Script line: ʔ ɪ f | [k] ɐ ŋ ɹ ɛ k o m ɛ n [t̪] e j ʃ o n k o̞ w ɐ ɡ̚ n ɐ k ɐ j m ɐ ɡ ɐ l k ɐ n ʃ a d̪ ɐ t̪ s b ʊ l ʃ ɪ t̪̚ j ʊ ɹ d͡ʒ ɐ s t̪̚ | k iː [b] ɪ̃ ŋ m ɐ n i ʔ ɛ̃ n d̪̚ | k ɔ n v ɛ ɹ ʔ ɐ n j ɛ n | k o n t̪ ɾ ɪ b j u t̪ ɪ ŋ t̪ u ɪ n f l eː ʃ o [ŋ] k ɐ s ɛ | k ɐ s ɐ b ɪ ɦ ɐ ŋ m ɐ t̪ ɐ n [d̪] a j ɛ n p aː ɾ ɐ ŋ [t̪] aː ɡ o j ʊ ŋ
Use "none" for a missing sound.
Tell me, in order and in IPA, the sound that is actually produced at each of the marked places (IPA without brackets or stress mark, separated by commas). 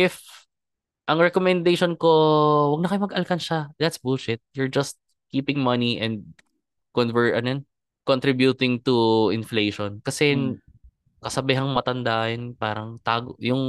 ʔ, d̪, p, n, d̪, t̪